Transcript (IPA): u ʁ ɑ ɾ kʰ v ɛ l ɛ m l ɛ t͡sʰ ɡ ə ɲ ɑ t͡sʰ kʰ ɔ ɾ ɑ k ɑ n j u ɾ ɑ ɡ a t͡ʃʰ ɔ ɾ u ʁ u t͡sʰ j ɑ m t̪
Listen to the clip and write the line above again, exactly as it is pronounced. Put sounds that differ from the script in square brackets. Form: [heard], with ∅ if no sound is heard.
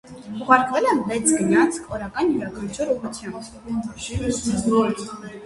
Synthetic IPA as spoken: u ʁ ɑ ɾ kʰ v ɛ l ɛ m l ɛ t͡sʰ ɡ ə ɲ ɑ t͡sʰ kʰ ɔ ɾ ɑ k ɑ n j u ɾ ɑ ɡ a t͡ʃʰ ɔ ɾ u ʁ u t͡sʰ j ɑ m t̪